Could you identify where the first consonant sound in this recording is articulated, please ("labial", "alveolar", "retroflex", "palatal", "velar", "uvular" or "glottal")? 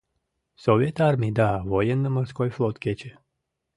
alveolar